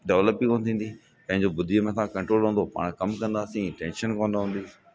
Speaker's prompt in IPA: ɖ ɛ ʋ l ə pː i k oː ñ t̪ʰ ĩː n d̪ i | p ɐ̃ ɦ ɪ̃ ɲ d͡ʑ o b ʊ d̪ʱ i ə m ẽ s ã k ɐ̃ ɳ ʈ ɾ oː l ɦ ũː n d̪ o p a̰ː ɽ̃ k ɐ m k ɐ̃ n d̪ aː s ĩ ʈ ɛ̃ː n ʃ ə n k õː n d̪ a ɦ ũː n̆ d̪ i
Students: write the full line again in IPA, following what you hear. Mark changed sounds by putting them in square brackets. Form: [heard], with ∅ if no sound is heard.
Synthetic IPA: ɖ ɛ ʋ l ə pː i k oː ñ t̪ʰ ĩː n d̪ i | p ɐ̃ ɦ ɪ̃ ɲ d͡ʑ o b ʊ d̪ʱ i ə m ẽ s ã k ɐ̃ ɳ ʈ ɾ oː l ɦ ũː n d̪ o p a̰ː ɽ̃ k ɐ m k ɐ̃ n d̪ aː s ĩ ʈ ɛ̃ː n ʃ ə n k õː n d̪ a ɦ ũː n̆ d̪ i